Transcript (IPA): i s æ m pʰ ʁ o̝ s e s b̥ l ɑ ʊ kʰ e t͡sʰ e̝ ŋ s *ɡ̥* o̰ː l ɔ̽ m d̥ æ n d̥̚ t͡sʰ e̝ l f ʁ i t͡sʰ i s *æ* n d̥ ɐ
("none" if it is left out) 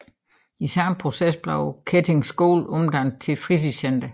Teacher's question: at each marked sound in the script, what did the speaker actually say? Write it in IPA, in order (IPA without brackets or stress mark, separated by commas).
ɡ̥, e